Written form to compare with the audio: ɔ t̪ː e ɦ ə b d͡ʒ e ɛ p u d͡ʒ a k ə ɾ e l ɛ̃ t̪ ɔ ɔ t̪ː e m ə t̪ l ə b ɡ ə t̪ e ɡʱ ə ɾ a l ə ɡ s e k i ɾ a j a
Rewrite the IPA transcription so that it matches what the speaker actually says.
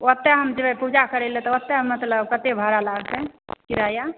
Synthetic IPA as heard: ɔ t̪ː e ɦ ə m d͡ʒ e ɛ p u d͡ʒ a k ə ɾ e l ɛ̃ t̪ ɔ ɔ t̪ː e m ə t̪ l ə b k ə t̪ e bʱ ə ɾ a l a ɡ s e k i ɾ a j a